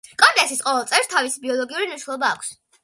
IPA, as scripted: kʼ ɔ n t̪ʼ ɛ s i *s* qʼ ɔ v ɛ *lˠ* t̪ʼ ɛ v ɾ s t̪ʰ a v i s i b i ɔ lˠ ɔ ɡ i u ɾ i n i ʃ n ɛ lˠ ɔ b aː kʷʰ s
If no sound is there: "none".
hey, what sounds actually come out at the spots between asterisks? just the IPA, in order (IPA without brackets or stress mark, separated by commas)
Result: s, lˠ